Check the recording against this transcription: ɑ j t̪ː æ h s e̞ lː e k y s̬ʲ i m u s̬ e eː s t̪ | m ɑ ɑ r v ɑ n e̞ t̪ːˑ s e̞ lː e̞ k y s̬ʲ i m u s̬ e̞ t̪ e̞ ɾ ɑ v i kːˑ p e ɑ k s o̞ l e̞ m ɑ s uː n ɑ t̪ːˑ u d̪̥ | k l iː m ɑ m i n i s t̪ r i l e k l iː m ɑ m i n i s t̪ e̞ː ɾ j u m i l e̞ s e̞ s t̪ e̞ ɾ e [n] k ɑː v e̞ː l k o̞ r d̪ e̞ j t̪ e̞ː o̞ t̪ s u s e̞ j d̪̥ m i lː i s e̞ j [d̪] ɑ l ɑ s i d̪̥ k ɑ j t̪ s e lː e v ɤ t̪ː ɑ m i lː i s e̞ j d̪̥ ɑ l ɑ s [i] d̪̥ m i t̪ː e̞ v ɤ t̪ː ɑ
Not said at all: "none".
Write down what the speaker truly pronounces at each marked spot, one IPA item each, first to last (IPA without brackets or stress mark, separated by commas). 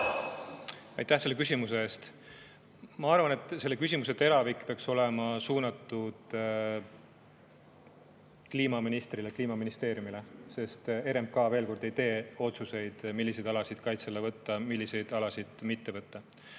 m, d̪, i